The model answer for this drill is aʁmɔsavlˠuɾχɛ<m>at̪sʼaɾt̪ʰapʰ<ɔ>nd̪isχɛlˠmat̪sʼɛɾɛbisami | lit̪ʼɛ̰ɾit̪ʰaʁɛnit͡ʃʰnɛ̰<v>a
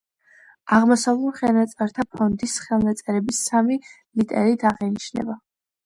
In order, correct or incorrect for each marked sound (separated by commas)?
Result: incorrect, correct, incorrect